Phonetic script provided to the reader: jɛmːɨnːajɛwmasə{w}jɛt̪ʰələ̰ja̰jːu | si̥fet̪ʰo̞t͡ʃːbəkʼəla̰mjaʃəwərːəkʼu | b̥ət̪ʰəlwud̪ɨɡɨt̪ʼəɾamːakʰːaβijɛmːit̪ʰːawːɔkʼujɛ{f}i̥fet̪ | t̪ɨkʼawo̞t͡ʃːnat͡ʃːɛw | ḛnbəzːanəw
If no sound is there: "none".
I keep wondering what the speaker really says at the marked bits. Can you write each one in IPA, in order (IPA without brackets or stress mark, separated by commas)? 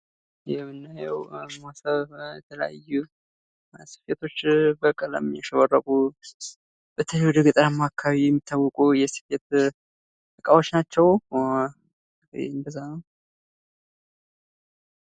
β, s